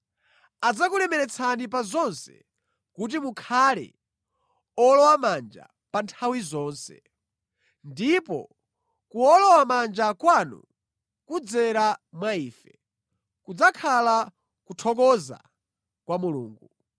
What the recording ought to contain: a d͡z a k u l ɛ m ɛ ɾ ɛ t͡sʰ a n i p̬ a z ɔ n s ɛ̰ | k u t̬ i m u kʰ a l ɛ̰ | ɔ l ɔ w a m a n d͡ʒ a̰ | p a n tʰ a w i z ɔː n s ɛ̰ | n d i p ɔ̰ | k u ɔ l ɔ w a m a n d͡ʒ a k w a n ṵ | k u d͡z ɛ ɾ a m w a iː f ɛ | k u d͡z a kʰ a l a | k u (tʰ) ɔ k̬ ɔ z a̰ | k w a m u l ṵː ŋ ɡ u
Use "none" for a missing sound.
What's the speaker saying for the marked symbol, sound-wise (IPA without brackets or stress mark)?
tʰ